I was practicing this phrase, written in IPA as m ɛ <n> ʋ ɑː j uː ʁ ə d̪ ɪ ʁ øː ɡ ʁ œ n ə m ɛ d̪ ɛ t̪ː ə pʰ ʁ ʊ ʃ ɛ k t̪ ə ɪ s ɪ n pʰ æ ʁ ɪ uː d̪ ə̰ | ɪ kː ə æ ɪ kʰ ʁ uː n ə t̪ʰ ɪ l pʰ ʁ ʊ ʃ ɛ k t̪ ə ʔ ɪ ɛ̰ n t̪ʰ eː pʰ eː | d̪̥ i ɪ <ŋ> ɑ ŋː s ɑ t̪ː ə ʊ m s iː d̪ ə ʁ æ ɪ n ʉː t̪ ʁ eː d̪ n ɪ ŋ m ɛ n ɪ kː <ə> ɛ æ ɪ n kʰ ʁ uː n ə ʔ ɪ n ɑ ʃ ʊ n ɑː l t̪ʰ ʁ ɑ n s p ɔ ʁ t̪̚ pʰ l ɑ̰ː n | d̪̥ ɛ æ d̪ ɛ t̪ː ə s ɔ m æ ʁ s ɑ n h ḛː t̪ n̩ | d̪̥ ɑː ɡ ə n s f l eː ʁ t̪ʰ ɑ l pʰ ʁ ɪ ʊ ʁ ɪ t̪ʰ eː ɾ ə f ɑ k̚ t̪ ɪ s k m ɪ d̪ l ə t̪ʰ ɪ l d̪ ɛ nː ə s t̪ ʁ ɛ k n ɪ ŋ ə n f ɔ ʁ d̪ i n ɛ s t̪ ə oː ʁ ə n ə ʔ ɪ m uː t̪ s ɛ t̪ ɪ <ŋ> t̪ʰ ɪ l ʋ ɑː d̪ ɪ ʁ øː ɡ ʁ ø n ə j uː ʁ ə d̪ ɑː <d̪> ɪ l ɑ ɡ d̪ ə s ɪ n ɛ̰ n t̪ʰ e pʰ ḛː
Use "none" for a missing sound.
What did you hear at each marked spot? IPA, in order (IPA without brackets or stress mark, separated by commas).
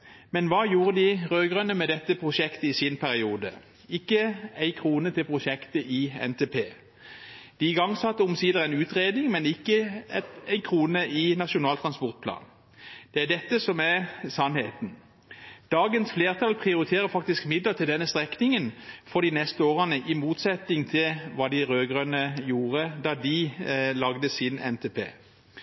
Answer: n, ɡ, ə, ŋ, d̪